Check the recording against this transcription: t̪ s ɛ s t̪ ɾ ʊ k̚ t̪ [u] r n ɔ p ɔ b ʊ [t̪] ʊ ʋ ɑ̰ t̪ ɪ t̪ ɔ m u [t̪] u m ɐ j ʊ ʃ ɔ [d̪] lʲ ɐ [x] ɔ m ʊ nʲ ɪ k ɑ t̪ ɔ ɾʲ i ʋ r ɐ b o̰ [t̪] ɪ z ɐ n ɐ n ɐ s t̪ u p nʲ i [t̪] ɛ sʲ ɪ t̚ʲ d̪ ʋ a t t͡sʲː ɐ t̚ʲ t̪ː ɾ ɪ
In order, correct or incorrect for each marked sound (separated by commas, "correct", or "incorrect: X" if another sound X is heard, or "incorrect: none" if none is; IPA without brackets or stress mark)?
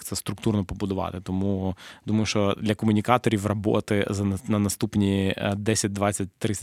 correct, incorrect: d̪, incorrect: d̪, correct, incorrect: k, correct, incorrect: d̪